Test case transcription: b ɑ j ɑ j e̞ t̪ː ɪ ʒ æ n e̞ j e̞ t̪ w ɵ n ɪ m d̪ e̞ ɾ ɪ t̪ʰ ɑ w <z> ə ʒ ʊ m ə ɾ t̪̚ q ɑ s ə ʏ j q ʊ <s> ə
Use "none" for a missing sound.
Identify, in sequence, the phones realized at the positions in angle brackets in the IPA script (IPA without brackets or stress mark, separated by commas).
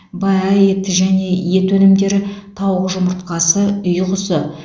ʁ, s